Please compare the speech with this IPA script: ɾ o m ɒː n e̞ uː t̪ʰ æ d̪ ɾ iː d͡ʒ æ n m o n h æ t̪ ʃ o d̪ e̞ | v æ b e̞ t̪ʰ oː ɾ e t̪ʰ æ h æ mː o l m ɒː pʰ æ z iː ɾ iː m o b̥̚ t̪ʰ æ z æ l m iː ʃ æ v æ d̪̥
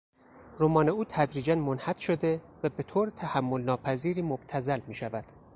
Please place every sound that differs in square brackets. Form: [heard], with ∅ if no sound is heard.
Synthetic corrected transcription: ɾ o m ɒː n e̞ uː t̪ʰ æ d̪ ɾ iː d͡ʒ æ n m o n h æ t̪ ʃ o d̪ e̞ | v æ b e̞ t̪ʰ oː ɾ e t̪ʰ æ h æ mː o l [n] ɒː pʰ æ z iː ɾ iː m o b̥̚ t̪ʰ æ z æ l m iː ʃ æ v æ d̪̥